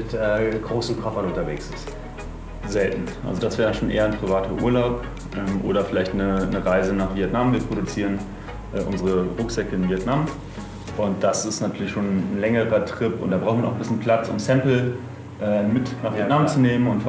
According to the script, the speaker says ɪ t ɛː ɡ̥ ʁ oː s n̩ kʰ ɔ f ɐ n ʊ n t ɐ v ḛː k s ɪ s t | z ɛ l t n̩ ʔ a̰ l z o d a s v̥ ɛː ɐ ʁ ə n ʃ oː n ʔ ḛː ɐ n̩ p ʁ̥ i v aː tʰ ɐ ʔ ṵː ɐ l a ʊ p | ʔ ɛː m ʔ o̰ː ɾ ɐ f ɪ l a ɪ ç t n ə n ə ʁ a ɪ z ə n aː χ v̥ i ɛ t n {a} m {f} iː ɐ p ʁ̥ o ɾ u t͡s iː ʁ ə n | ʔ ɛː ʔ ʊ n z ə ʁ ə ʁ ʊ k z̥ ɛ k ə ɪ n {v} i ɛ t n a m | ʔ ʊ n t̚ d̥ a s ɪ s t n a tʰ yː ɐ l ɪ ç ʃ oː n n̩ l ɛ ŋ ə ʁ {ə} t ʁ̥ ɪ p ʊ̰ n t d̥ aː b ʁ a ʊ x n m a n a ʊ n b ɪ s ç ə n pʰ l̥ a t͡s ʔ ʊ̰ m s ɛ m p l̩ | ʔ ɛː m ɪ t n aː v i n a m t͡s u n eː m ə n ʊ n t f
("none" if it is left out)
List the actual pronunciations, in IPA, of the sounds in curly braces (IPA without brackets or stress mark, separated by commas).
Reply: a, v, v, ɐ